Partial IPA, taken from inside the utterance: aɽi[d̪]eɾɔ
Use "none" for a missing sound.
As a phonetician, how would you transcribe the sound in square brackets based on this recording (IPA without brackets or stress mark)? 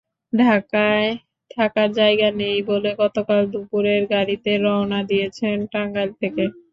t̪